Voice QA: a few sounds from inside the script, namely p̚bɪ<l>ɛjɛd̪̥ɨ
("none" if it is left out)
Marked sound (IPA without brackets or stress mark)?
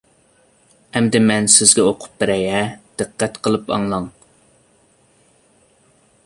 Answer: ɾ